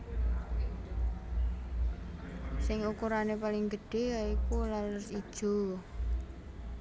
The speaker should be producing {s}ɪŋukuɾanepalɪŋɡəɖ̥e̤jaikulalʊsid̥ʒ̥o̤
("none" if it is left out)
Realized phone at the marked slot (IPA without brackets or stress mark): s